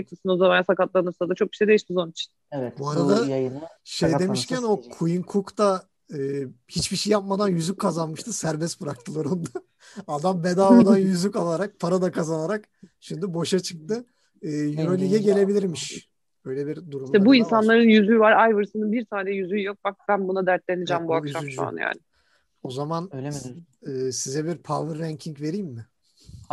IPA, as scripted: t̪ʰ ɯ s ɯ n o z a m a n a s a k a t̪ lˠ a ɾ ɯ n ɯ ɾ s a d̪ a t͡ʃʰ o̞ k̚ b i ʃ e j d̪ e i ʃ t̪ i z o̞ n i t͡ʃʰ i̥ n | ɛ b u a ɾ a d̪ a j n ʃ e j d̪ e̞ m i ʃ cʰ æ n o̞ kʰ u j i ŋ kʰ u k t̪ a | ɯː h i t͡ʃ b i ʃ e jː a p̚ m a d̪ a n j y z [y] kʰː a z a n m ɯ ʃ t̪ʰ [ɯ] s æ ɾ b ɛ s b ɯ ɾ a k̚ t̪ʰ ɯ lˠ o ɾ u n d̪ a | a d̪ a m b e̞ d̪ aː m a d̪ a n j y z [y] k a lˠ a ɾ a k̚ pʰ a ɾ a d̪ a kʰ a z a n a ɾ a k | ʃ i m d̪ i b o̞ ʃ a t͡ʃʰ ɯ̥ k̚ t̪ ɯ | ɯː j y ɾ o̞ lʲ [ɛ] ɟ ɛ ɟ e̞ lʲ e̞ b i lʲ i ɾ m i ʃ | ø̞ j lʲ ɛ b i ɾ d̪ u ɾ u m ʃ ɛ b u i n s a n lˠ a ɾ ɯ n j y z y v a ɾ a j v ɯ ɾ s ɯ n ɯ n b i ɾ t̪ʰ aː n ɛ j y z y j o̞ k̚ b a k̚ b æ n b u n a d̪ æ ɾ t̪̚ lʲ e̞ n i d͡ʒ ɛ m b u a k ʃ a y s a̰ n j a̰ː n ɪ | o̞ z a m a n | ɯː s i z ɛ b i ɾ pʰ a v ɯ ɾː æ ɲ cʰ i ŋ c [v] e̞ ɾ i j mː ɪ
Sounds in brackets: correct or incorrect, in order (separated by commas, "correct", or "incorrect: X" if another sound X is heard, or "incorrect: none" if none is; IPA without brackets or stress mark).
correct, correct, correct, incorrect: i, correct